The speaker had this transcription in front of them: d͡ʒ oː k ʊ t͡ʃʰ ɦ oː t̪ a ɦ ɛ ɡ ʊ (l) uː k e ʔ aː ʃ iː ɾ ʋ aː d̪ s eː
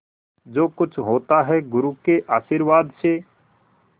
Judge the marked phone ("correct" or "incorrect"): incorrect